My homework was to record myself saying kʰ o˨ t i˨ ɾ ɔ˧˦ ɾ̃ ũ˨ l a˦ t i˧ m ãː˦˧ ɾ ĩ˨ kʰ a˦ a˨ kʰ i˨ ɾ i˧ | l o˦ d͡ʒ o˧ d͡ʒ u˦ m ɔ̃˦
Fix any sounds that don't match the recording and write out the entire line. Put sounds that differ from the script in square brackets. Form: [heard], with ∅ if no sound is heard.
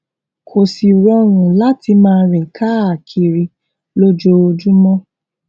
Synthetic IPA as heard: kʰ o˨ [s] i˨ ɾ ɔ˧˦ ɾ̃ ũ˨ l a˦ t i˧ m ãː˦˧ ɾ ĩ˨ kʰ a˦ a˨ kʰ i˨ ɾ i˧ | l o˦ d͡ʒ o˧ d͡ʒ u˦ m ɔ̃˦